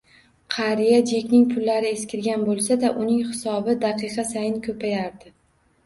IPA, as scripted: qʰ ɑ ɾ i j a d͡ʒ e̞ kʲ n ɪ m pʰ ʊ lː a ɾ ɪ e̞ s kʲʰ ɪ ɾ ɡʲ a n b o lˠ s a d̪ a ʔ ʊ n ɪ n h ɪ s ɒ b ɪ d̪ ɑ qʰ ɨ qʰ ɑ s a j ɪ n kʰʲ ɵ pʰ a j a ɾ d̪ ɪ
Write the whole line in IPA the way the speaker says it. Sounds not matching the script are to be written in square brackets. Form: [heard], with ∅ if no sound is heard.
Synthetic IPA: qʰ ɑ ɾ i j a d͡ʒ e̞ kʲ n ɪ [ŋ] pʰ ʊ lː a ɾ ɪ e̞ s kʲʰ ɪ ɾ ɡʲ a n b o lˠ s a d̪ a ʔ ʊ n ɪ [ŋ] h ɪ s ɒ b ɪ d̪ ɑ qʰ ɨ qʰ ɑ s a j ɪ n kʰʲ ɵ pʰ a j a ɾ d̪ ɪ